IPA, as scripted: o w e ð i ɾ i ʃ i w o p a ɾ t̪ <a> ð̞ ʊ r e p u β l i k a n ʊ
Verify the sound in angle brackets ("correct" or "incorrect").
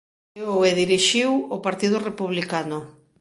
incorrect